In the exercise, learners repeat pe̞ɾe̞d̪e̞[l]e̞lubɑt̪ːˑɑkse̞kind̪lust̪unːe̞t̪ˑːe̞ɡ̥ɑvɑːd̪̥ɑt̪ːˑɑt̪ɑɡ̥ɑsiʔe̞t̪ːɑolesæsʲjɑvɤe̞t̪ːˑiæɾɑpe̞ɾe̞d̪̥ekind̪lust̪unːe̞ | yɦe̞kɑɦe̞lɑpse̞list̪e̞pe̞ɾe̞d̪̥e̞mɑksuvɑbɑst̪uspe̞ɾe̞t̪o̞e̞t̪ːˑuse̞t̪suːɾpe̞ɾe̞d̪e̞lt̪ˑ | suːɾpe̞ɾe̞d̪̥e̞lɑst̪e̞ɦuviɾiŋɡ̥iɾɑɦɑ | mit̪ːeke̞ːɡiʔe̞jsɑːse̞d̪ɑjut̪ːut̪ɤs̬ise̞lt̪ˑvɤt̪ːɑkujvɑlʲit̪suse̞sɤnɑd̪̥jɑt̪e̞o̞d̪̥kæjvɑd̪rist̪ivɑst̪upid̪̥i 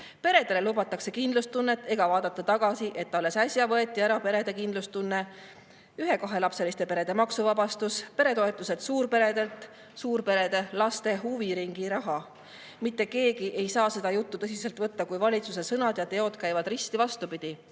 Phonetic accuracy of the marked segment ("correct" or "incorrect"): correct